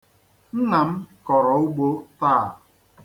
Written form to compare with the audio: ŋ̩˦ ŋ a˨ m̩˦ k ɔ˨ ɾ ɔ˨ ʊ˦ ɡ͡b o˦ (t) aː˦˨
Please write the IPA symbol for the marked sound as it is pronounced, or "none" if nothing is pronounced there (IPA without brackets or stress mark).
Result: t